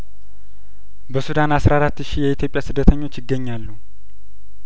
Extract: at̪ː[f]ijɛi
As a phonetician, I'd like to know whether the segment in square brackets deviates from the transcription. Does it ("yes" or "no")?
yes